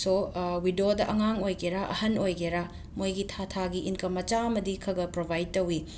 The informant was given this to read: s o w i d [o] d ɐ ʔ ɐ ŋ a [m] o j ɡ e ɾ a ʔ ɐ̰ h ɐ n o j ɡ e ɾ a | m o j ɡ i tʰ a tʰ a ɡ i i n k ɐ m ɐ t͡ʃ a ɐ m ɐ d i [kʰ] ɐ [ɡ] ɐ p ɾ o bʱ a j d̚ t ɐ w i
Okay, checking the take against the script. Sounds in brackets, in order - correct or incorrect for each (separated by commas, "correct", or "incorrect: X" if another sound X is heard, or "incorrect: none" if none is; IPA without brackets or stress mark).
correct, incorrect: ŋ, correct, correct